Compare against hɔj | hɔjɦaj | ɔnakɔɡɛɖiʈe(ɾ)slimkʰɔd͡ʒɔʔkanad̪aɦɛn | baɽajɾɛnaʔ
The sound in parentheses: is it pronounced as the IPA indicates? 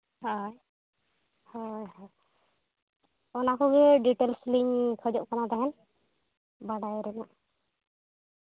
no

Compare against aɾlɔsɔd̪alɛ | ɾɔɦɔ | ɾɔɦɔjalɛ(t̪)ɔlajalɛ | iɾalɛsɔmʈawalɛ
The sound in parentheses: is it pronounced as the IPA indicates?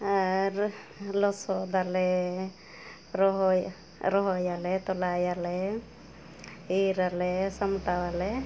yes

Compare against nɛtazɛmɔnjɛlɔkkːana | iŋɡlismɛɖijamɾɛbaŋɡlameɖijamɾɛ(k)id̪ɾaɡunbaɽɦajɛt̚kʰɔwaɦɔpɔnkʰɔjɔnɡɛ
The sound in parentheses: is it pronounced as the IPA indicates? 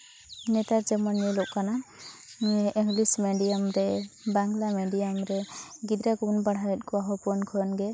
no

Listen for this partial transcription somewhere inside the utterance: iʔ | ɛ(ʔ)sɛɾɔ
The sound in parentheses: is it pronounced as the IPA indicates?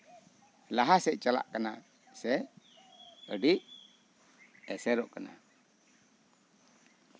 no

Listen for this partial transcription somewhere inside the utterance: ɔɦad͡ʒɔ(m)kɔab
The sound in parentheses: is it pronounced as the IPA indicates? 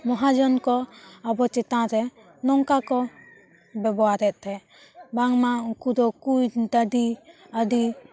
no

